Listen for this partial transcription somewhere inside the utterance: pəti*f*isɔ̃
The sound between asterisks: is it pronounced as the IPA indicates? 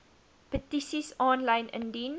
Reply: no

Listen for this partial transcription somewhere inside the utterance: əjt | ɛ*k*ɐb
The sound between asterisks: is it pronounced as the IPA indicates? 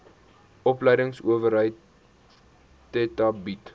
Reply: no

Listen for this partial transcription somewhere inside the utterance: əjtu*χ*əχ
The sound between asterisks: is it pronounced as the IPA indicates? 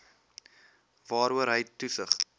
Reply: no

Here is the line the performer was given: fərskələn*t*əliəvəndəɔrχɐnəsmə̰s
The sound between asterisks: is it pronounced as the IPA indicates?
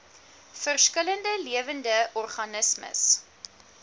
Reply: no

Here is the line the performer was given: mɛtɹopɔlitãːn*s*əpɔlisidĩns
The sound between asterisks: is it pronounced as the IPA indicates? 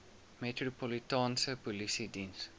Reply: yes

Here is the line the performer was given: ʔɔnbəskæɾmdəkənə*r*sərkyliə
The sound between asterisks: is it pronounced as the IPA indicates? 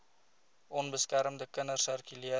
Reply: yes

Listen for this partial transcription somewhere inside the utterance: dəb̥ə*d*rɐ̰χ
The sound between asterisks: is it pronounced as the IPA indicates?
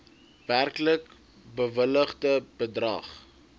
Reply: yes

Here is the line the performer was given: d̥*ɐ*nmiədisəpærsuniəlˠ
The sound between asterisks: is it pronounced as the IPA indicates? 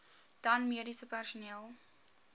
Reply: yes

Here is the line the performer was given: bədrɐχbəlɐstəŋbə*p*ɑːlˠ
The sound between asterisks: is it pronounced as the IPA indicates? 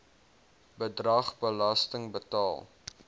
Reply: no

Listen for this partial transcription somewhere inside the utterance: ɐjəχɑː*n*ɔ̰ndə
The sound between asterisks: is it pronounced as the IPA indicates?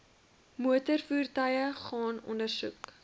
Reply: yes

